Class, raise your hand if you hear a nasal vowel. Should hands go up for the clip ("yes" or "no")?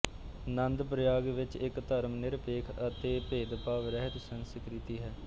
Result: no